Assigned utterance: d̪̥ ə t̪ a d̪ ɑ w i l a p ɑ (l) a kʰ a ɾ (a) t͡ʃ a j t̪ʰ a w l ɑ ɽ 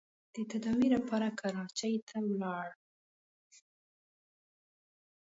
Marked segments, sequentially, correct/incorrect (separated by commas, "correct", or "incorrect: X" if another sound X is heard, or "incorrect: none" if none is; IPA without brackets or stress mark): incorrect: ɾ, incorrect: ɑ